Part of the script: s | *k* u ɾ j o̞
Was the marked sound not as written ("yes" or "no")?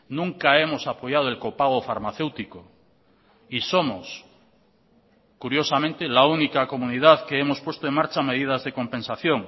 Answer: no